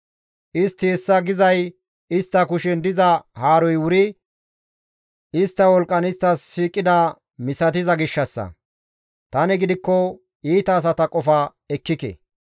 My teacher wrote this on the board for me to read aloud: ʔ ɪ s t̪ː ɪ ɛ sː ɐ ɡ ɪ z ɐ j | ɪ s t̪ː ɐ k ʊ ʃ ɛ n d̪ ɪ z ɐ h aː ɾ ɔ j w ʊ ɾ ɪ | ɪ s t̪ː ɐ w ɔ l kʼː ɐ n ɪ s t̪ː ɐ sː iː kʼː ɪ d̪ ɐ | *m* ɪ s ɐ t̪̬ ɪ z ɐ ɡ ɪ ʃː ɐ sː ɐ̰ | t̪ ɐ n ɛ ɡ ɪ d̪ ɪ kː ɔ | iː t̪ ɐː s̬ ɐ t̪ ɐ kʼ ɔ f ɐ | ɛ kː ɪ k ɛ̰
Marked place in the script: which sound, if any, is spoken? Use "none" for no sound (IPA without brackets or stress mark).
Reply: m